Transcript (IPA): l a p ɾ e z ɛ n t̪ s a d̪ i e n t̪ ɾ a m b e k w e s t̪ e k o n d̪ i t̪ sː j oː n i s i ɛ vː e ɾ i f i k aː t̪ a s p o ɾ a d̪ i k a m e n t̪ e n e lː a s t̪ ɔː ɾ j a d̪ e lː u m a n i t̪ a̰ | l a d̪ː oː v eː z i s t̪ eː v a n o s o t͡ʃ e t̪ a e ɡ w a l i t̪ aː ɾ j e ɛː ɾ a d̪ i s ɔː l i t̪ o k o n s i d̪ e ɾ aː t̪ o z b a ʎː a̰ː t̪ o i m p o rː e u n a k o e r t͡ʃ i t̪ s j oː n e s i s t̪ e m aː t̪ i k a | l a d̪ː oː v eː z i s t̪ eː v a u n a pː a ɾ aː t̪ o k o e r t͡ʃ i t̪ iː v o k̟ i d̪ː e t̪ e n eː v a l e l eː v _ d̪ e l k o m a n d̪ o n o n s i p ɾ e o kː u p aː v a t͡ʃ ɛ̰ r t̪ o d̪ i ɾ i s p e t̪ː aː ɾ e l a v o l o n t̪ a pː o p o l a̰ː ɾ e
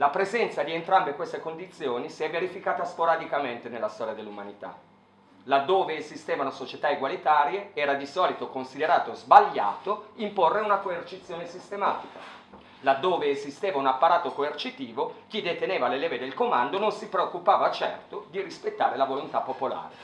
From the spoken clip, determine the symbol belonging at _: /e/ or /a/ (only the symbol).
e